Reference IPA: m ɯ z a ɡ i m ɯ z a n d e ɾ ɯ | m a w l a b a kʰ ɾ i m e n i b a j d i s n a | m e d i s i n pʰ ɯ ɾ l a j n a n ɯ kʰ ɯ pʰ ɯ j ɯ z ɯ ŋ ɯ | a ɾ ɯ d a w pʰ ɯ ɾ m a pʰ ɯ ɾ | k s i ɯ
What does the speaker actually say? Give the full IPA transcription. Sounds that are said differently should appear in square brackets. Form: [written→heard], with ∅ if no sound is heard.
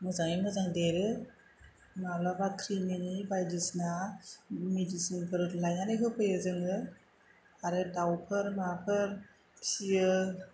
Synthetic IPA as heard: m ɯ z a [ɡ→ŋ] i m ɯ z a [n→ŋ] d e ɾ ɯ | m a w l a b a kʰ ɾ i m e n i b a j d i s n a | m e d i s i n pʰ ɯ ɾ l a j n a n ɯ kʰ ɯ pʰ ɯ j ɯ z ɯ ŋ ɯ | a ɾ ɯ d a w pʰ ɯ ɾ m a pʰ ɯ ɾ | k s i ɯ